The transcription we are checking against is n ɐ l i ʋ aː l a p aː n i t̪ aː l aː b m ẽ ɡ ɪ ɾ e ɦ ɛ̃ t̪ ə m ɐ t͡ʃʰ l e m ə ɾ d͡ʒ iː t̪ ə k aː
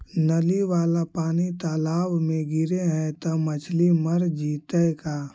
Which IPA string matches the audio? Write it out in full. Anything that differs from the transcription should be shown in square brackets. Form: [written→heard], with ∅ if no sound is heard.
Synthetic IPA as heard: n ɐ l i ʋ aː l a p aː n i t̪ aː l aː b m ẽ ɡ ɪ ɾ e ɦ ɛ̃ t̪ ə m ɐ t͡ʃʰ l [e→i] m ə ɾ d͡ʒ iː t̪ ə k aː